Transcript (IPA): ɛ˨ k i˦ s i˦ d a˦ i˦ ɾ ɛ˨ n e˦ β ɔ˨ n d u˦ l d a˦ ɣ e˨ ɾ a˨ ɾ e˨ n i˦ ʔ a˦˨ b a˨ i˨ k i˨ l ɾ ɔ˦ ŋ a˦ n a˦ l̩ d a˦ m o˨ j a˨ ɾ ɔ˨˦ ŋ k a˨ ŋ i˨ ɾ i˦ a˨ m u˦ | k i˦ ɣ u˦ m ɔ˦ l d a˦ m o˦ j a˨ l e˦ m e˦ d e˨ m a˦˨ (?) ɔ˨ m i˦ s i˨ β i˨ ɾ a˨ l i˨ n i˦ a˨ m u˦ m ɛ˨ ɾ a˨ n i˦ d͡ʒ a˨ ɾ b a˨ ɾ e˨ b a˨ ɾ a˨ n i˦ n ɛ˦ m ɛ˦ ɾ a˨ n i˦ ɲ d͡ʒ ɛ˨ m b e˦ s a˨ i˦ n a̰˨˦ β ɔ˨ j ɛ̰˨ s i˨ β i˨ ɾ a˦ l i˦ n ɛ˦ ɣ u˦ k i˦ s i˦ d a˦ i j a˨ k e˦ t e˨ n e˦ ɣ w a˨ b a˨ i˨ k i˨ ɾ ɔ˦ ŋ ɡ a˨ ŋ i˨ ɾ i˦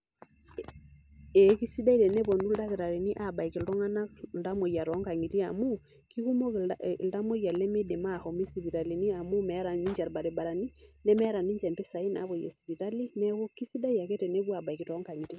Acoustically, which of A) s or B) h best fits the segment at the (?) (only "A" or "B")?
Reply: B